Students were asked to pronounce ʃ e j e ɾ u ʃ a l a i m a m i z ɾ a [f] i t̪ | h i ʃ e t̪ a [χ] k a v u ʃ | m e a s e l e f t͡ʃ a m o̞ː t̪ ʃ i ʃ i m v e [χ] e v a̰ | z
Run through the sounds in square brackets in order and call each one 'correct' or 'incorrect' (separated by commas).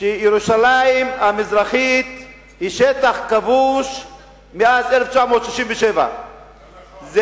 incorrect, correct, incorrect